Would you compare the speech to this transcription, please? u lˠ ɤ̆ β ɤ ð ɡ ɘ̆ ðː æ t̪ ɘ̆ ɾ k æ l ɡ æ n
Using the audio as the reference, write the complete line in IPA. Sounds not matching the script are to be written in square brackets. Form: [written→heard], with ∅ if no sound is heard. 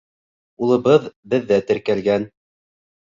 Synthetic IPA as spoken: u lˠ ɤ̆ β ɤ ð [ɡ→b] ɘ̆ ðː æ t̪ ɘ̆ ɾ k æ l ɡ æ n